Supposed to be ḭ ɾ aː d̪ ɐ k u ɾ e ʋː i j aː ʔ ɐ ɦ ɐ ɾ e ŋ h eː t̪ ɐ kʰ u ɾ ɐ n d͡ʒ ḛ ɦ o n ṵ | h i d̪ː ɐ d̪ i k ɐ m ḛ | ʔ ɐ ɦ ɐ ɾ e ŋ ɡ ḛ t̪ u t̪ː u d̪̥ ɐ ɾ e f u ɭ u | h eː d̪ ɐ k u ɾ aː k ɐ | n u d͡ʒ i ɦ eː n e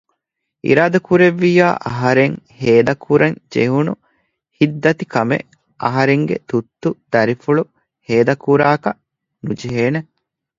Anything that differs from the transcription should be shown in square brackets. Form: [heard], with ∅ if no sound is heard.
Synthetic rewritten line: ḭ ɾ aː d̪ ɐ k u ɾ e ʋː i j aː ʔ ɐ ɦ ɐ ɾ e ŋ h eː [d̪] ɐ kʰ u ɾ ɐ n d͡ʒ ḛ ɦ [u] n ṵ | h i d̪ː ɐ [t̪] i k ɐ m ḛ | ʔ ɐ ɦ ɐ ɾ e ŋ ɡ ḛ t̪ u t̪ː u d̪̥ ɐ ɾ [i] f u ɭ u | h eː d̪ ɐ k u ɾ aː k ɐ | n u d͡ʒ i ɦ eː n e

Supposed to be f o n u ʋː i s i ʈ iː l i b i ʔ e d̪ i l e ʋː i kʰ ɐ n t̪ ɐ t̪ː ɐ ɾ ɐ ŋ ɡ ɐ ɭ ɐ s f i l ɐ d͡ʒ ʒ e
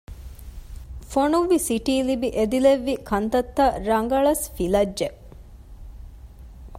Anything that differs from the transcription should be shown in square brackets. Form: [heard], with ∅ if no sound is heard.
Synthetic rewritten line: f o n u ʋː i s i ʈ iː l i b i ʔ e d̪ i l e ʋː i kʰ ɐ n t̪ ɐ t̪ː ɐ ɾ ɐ ŋ ɡ ɐ ɭ ɐ s f i l ɐ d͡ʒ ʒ e

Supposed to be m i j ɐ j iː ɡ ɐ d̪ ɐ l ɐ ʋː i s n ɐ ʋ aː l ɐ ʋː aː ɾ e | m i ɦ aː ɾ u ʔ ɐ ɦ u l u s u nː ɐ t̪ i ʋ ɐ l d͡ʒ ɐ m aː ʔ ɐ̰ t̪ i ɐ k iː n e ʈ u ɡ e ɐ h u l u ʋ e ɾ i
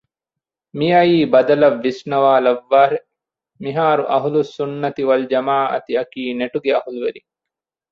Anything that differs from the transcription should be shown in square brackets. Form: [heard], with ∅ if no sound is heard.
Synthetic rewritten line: m i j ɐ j iː [b] ɐ d̪ ɐ l ɐ ʋː i s n ɐ ʋ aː l ɐ ʋː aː ɾ e | m i ɦ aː ɾ u ʔ ɐ ɦ u l u s u nː ɐ t̪ i ʋ ɐ l d͡ʒ ɐ m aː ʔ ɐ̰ t̪ i ɐ k iː n e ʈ u ɡ e ɐ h u l u ʋ e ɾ i

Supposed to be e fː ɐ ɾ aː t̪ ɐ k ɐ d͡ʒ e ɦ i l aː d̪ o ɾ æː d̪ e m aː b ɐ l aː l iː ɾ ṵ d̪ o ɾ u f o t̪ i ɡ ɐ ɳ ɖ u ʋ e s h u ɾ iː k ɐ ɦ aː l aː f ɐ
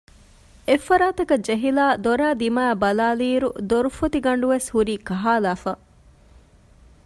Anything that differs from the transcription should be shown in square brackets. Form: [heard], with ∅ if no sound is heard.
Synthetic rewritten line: e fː ɐ ɾ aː t̪ ɐ k ɐ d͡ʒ e ɦ i l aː d̪ o ɾ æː d̪ [i] m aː b ɐ l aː l iː ɾ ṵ d̪ o ɾ u f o t̪ i ɡ ɐ ɳ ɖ u ʋ e s h u ɾ iː k ɐ ɦ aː l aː f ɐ

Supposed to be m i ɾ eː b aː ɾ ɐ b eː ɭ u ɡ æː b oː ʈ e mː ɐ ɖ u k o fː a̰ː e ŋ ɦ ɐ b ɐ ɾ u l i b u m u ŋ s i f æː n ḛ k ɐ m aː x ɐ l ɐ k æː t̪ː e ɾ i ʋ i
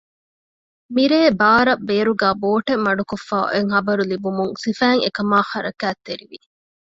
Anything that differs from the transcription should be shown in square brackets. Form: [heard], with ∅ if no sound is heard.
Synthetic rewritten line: m i ɾ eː b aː ɾ ɐ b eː [ɾ] u ɡ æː b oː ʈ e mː ɐ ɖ u k o fː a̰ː e ŋ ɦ ɐ b ɐ ɾ u l i b u m u ŋ s i f æː [ŋ] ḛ k ɐ m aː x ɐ [ɾ] ɐ k æː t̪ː e ɾ i ʋ i

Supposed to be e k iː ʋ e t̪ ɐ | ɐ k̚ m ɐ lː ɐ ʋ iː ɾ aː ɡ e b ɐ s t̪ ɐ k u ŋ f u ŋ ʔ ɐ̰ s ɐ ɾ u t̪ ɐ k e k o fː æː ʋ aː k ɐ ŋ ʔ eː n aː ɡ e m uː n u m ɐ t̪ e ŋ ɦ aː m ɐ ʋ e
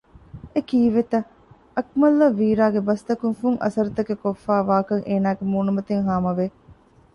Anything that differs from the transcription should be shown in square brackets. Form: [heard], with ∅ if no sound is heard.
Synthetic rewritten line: e k iː ʋ e t̪ ɐ | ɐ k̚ m ɐ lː ɐ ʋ iː ɾ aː ɡ e b ɐ s t̪ ɐ k u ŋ f u ŋ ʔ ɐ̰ s ɐ ɾ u t̪ ɐ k e k o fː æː ʋ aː k ɐ ŋ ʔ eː n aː ɡ e m uː n u m ɐ t̪ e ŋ ɦ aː m ɐ ʋ e

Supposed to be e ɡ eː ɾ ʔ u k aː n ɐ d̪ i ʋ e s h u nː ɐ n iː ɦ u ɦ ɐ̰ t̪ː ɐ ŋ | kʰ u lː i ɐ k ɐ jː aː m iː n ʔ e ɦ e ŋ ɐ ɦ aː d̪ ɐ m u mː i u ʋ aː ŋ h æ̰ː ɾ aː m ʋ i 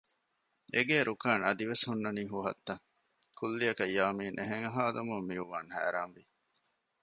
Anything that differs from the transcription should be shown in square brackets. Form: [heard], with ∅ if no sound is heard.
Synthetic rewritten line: e ɡ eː ɾ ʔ u k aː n ɐ d̪ i ʋ e s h u nː ɐ n iː ɦ u ɦ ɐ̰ t̪ː ɐ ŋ | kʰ u lː i ɐ k ɐ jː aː m iː n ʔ e ɦ e ŋ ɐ ɦ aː d̪ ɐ m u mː i u ʋ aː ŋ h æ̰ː ɾ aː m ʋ i

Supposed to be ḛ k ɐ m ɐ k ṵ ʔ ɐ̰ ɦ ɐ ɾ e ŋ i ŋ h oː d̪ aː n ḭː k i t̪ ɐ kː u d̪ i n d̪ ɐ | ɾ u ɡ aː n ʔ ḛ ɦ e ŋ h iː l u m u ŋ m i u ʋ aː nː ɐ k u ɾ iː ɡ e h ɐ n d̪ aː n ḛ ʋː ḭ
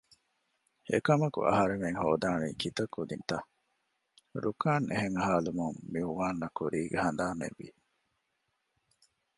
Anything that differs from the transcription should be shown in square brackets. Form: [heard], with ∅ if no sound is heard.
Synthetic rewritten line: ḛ k ɐ m ɐ k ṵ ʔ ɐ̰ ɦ ɐ ɾ e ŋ [e] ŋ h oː d̪ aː n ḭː k i t̪ ɐ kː u d̪ i n [t̪] ɐ | ɾ u [k] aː n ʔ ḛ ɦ e ŋ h [aː] l u m u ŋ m i u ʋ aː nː ɐ k u ɾ iː ɡ e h ɐ n d̪ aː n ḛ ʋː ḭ

